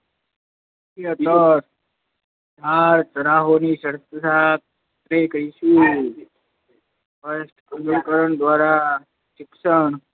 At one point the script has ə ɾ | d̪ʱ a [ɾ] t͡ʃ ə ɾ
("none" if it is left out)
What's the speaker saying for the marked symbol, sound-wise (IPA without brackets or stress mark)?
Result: ɾ